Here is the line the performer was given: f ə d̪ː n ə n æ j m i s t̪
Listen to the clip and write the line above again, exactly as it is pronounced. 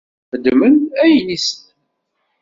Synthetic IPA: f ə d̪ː m ə n æ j n i s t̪